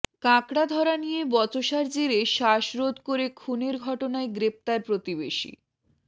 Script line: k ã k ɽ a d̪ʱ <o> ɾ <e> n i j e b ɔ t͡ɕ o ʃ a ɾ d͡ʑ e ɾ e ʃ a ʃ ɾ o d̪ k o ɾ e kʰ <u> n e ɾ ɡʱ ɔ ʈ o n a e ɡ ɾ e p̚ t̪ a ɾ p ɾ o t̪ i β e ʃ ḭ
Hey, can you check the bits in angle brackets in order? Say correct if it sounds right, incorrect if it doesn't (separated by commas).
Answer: incorrect, incorrect, correct